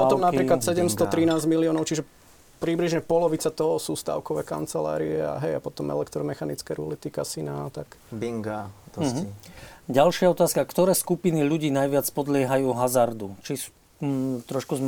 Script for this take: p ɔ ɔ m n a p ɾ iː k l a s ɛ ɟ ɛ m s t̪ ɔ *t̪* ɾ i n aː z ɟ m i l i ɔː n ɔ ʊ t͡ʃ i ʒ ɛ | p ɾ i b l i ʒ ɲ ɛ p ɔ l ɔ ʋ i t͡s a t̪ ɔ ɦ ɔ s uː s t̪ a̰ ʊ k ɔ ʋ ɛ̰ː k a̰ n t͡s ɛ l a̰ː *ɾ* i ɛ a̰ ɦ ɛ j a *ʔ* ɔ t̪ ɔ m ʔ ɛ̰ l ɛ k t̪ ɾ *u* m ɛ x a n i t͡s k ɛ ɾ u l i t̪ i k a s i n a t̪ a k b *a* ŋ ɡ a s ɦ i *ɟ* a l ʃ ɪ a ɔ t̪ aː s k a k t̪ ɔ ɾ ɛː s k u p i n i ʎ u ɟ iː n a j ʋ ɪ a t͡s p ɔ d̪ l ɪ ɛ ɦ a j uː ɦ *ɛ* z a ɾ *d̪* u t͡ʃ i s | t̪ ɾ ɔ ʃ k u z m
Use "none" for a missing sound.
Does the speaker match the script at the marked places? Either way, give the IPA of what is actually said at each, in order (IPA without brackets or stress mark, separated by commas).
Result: t̪, ɾ, p, ɔ, i, ɟ, a, d̪